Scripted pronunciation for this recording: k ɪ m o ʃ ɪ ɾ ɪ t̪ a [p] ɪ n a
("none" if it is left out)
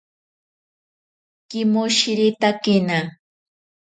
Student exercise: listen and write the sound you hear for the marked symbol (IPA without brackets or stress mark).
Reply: k